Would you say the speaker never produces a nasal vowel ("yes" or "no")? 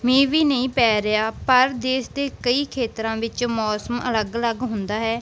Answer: no